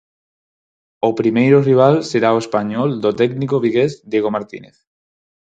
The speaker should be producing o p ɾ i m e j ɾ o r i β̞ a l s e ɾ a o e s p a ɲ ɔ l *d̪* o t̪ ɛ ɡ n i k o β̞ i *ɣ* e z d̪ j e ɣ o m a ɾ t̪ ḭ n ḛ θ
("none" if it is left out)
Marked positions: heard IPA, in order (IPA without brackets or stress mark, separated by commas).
d̪, ɣ